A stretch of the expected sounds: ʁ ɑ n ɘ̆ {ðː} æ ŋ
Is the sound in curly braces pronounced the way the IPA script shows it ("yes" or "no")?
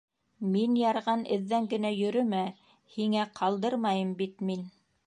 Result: yes